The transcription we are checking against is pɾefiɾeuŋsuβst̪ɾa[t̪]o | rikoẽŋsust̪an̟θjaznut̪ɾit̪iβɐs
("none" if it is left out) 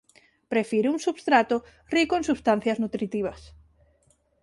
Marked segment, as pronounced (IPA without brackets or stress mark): t̪